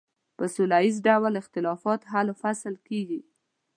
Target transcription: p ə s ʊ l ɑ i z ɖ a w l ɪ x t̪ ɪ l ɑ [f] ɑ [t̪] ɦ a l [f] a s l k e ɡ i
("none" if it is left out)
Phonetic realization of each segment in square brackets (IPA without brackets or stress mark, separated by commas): f, t̪, f